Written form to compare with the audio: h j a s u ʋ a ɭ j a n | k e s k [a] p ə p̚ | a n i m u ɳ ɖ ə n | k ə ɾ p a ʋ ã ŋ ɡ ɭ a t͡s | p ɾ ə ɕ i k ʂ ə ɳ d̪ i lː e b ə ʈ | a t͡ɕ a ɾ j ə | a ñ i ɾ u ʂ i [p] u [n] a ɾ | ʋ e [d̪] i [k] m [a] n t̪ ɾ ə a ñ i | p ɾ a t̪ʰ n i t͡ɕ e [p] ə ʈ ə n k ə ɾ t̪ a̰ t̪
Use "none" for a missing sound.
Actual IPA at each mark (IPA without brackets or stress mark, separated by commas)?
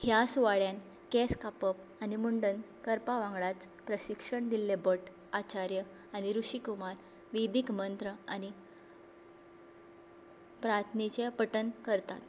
a, k, m, d̪, k, ə, p